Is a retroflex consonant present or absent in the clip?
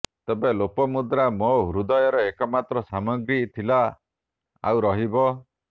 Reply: absent